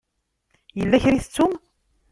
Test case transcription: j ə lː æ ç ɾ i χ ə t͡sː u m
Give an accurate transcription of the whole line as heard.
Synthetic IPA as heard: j ə lː æ ç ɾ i θ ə t͡sː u m